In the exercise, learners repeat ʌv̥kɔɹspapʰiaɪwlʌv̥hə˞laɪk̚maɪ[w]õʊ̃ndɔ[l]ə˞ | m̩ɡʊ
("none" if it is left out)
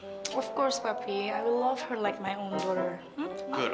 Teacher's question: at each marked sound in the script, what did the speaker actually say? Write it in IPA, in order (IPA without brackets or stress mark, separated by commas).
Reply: none, ɾ